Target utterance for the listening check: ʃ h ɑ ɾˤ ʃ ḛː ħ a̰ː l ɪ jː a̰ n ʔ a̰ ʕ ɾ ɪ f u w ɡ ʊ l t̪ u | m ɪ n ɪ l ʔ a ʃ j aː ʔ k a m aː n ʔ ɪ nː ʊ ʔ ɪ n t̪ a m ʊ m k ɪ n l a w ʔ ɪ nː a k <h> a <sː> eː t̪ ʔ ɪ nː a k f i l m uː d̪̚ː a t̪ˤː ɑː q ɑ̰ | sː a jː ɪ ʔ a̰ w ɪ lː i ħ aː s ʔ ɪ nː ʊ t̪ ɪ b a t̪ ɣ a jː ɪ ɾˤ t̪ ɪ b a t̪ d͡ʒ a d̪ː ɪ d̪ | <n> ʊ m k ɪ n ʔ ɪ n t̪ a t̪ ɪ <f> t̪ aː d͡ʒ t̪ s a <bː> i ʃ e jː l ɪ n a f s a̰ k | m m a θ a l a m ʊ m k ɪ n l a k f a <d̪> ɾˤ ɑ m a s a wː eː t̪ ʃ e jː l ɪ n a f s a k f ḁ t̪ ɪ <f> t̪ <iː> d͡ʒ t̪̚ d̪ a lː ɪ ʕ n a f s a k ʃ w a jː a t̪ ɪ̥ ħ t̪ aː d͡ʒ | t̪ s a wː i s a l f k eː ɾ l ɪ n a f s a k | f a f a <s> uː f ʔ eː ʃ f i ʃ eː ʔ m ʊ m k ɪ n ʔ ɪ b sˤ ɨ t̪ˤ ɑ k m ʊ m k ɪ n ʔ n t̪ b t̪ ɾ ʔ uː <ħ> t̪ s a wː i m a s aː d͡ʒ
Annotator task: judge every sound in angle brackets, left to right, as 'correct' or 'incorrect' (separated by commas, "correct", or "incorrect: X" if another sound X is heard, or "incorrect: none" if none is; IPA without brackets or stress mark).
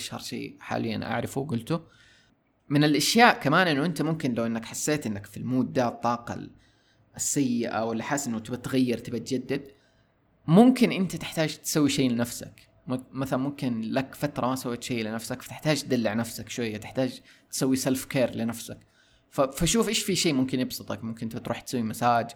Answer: incorrect: ħ, correct, incorrect: m, incorrect: ħ, incorrect: wː, incorrect: t̪, incorrect: ħ, incorrect: aː, incorrect: ʃ, correct